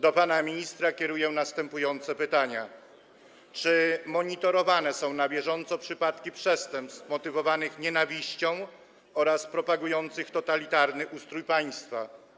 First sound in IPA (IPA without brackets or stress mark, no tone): d̪